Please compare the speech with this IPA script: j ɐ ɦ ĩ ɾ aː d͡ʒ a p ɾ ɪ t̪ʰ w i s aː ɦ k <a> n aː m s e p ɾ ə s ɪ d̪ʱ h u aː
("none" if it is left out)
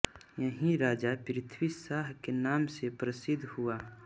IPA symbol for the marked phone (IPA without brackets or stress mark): e